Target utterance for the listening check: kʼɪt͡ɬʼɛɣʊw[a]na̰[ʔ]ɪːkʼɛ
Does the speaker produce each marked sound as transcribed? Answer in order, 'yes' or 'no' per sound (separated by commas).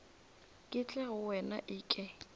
no, yes